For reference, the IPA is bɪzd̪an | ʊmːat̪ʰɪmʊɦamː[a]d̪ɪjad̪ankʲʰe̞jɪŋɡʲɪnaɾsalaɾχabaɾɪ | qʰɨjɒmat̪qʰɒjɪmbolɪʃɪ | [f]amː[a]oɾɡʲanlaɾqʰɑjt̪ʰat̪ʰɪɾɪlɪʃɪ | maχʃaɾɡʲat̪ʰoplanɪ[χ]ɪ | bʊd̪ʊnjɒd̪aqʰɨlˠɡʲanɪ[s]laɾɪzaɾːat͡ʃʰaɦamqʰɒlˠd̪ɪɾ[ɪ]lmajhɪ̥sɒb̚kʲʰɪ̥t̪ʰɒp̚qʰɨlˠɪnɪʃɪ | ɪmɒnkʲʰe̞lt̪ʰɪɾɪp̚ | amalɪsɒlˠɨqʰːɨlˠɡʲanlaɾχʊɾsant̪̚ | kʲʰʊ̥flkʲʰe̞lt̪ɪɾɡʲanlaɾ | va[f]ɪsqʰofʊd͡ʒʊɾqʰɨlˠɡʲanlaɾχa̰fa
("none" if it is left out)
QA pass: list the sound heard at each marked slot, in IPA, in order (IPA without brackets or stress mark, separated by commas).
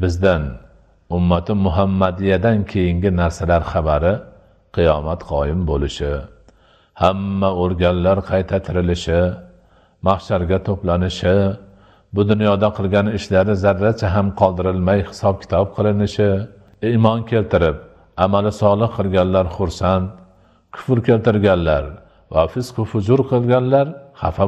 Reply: a, h, a, ʃ, ʃ, ɪ, f